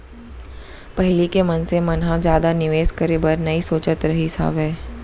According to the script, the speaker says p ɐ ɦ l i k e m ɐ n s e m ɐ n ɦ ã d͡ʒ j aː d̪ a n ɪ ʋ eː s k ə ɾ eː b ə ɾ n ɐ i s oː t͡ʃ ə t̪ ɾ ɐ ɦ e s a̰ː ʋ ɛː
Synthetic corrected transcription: p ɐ ɦ l i k e m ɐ n s e m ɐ n ɦ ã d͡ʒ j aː d̪ a n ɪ ʋ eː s k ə ɾ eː b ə ɾ n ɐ i s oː t͡ʃ ə t̪ ɾ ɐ ɦ i s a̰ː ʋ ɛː